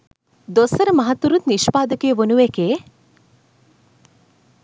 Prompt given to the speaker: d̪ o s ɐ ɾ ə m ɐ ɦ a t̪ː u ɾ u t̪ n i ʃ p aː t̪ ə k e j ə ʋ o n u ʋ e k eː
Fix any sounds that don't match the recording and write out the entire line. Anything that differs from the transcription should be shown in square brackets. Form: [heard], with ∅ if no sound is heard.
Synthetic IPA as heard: d̪ o s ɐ ɾ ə m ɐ ɦ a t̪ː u ɾ u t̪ n i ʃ p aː [d̪] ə k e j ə ʋ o n u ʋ e k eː